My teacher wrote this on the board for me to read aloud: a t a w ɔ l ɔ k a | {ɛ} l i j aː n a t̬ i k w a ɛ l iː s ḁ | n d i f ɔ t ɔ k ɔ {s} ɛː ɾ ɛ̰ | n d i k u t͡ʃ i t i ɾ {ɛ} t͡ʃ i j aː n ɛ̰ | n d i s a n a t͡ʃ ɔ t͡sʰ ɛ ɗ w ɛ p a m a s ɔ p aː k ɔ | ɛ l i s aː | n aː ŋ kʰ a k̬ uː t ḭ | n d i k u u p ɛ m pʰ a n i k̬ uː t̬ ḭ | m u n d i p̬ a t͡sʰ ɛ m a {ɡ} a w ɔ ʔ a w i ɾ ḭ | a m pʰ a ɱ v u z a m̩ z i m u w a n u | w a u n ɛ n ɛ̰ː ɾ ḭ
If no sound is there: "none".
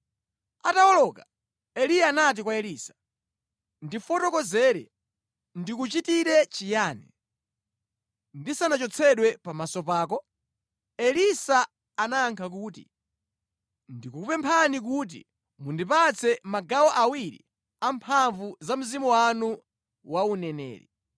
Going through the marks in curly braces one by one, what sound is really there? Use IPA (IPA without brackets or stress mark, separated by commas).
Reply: ɛ, z, ɛ, ɡ